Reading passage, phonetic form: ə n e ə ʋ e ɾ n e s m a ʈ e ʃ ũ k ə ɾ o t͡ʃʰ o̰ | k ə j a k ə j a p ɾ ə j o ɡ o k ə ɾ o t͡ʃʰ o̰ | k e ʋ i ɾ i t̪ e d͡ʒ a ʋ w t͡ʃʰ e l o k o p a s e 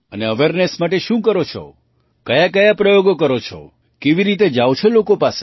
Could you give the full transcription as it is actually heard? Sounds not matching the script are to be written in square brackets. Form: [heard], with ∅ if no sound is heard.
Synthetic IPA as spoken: ə n e ə ʋ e ɾ n e s m a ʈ e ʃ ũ k ə ɾ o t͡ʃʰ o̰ | k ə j a k ə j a p ɾ ə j o ɡ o k ə ɾ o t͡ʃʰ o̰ | k e ʋ i ɾ i t̪ e d͡ʒ a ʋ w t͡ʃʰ e l o k o p a s e